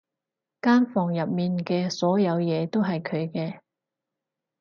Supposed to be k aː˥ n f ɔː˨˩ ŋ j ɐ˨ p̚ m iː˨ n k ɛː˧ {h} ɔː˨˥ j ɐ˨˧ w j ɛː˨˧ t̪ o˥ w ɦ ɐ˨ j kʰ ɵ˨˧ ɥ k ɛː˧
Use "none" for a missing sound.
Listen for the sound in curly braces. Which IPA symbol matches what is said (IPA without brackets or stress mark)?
s